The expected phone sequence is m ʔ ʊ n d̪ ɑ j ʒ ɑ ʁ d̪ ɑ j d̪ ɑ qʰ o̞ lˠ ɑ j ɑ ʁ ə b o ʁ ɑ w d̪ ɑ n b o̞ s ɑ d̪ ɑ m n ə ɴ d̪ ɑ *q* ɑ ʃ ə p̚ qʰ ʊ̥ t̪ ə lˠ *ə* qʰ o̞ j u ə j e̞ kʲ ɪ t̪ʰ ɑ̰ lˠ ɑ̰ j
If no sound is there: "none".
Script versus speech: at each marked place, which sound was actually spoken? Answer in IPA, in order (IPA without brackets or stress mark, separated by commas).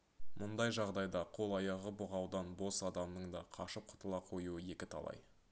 qʰ, ɑ